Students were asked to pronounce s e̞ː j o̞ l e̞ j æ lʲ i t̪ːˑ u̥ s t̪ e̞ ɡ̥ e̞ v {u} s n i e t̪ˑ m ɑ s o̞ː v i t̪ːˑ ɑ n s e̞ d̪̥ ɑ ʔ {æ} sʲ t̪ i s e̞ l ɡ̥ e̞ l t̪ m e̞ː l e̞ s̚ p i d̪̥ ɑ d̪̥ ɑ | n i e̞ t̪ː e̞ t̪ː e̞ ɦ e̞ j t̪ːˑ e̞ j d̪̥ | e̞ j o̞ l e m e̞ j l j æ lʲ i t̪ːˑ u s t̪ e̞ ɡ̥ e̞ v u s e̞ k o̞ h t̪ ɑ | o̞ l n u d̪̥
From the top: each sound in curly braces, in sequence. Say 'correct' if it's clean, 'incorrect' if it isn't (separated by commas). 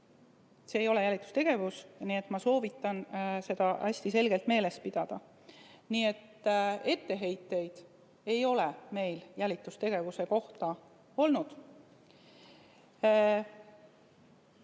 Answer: correct, correct